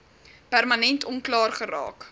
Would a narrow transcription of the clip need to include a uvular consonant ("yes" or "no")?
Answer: yes